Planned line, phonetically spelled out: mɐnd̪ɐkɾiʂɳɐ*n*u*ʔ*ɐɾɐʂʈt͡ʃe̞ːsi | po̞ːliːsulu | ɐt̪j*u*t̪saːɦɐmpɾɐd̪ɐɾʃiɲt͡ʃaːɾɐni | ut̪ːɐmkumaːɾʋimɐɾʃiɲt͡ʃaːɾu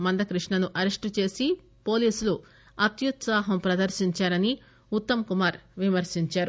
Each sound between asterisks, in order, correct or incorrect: correct, correct, correct

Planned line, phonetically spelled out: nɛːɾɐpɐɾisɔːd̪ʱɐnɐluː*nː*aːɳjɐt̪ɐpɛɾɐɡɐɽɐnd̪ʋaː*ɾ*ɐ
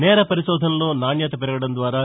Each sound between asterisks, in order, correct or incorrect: incorrect, correct

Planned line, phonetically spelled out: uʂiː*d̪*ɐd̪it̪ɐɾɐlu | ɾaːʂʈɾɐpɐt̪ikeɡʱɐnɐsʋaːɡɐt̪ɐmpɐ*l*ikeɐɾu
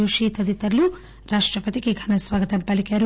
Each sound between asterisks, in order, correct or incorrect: incorrect, correct

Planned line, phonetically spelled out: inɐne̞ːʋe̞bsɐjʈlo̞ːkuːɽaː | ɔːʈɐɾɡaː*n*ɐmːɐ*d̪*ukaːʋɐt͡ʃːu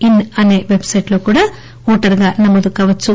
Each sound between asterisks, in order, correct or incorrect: correct, correct

